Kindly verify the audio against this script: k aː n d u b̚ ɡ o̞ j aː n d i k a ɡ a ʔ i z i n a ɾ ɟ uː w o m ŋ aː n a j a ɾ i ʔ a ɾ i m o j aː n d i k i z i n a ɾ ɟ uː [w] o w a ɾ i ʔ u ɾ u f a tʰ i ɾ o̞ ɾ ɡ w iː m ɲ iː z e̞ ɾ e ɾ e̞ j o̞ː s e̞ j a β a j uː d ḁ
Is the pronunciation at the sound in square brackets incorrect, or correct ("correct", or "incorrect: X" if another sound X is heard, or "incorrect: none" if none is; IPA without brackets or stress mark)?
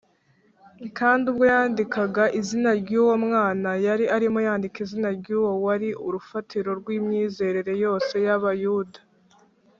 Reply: correct